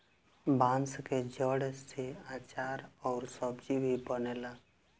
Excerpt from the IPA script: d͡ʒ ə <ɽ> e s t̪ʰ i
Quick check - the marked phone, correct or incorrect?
correct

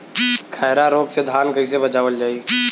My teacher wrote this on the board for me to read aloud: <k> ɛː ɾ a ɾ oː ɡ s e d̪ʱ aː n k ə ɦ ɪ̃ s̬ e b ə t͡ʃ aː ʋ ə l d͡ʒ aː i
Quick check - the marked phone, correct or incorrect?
incorrect: kʰ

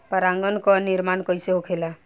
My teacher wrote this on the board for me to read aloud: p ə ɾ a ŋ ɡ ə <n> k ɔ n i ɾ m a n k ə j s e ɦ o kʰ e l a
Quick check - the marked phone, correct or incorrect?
correct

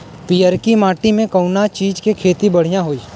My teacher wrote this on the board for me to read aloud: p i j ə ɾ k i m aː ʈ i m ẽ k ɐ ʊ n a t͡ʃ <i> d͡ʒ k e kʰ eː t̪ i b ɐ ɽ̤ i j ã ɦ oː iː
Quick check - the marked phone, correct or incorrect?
incorrect: iː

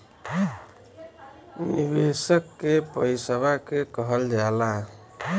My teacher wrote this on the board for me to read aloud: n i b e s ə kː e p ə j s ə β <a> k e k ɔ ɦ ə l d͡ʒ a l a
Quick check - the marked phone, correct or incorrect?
correct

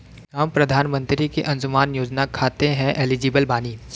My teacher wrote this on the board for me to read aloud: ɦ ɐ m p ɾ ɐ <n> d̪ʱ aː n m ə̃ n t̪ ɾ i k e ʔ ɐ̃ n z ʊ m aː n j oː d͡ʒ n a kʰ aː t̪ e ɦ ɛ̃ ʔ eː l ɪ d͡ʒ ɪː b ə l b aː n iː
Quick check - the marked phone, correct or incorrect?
incorrect: none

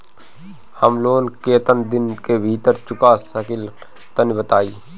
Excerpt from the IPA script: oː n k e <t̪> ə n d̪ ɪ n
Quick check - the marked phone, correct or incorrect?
correct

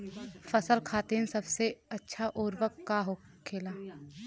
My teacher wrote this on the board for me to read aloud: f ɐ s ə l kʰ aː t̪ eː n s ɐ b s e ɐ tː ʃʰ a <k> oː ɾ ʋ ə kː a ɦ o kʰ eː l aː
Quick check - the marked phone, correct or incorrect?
incorrect: ʔ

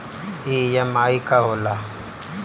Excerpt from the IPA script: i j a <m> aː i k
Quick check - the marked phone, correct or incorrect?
correct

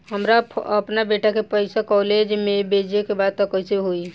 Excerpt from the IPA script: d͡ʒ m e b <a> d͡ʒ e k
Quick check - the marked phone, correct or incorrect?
incorrect: e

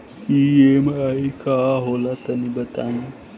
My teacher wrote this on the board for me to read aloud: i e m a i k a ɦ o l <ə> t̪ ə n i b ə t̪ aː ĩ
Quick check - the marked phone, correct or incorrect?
incorrect: a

